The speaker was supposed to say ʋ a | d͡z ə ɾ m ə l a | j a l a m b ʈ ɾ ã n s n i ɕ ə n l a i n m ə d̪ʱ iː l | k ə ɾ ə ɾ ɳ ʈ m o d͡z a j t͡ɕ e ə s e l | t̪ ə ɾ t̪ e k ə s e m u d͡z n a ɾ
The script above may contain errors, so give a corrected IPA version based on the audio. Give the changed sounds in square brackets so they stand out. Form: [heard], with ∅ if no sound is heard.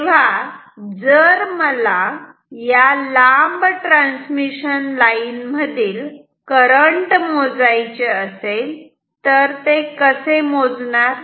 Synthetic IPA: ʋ a | d͡z ə ɾ m ə l a | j a l a m b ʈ ɾ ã n s [m] i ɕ ə n l a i n m ə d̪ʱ iː l | k ə ɾ ə [∅] ɳ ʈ m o d͡z a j t͡ɕ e ə s e l | t̪ ə ɾ t̪ e k ə s e m [o] d͡z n a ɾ